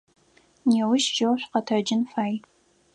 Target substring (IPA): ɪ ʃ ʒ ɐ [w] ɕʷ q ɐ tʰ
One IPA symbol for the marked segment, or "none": w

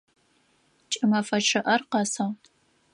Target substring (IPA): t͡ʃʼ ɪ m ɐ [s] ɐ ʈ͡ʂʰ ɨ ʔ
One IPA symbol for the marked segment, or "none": f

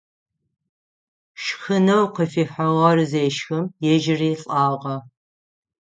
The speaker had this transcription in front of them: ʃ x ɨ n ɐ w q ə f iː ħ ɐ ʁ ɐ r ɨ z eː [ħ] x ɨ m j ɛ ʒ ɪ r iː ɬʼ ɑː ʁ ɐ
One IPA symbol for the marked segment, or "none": ʃ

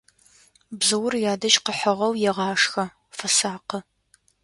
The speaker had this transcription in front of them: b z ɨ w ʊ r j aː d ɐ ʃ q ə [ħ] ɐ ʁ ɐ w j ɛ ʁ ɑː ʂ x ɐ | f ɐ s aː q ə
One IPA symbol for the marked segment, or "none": ħ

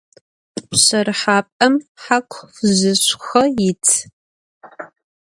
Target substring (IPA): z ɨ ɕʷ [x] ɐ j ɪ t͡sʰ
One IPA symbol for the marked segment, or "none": x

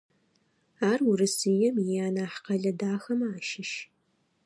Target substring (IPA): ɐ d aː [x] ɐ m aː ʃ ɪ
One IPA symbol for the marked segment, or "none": x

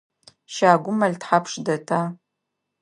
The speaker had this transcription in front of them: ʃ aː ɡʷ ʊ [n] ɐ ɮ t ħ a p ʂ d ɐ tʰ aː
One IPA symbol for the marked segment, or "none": m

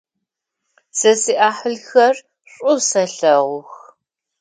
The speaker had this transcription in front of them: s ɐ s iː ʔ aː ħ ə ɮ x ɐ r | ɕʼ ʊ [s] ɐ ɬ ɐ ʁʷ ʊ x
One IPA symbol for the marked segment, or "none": s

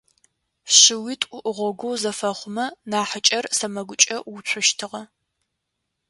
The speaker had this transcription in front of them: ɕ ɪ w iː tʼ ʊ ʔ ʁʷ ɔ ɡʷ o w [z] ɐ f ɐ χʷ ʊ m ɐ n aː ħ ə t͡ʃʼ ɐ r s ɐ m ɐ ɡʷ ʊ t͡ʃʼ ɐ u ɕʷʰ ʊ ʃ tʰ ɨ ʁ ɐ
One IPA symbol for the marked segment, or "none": z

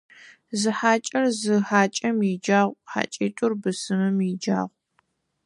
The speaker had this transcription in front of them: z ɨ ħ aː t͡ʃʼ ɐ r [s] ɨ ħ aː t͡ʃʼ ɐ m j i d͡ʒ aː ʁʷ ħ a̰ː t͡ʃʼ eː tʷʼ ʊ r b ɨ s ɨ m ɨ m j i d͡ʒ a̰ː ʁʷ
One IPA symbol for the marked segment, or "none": z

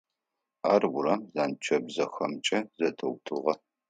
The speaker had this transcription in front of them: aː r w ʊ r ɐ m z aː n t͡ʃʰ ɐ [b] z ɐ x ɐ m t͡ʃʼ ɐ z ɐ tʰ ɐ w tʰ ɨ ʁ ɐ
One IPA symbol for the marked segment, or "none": b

